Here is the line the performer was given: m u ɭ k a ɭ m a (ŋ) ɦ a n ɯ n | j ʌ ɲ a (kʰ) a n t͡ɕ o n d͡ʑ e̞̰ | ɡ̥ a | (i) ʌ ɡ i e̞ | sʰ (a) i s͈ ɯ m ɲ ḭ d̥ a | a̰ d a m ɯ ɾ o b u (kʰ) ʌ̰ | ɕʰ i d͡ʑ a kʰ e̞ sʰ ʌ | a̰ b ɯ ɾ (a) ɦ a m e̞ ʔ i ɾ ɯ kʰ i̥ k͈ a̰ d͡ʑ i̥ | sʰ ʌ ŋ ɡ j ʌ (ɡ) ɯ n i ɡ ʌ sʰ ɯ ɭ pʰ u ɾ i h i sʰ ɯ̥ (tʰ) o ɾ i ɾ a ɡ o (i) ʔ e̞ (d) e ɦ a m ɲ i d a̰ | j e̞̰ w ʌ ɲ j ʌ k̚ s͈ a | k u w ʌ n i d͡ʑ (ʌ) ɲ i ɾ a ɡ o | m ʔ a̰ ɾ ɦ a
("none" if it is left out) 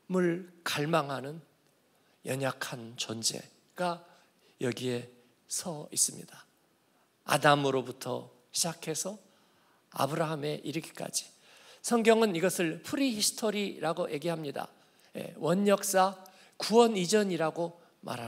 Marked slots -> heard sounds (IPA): ŋ, kʰ, j, ʌ, tʰ, a, ŋ, tʰ, j, ɡ, ʌ

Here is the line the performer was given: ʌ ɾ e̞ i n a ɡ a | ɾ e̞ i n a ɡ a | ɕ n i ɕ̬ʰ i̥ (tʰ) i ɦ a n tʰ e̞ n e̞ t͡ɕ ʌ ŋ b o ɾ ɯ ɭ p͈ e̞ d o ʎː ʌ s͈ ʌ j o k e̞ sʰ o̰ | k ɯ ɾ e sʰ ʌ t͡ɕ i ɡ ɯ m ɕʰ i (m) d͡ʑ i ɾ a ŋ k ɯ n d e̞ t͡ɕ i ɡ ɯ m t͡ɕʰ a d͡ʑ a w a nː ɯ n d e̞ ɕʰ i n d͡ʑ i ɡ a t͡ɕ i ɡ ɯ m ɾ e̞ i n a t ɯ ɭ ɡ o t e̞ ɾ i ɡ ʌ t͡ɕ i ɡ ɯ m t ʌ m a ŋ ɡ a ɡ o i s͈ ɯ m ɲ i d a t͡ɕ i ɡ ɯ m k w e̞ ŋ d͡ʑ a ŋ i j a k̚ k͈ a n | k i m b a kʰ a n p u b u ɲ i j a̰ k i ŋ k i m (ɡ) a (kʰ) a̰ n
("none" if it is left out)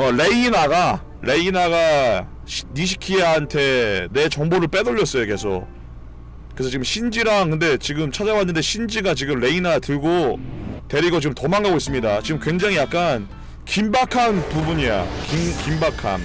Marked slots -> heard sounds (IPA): kʰ, n, b, kʰ

